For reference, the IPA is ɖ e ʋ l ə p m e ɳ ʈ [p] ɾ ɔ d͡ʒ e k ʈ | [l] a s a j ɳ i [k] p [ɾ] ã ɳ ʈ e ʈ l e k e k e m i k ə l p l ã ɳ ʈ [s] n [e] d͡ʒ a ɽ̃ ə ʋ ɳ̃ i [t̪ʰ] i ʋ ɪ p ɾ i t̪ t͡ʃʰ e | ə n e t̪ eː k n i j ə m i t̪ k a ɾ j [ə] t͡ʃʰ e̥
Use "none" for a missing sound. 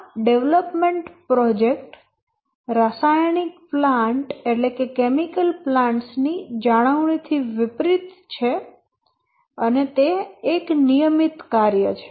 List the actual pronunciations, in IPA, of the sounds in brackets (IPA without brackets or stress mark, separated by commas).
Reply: p, ɾ, k, l, s, i, t̪ʰ, ə